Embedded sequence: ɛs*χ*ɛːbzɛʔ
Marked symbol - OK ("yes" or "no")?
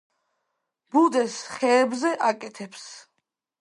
yes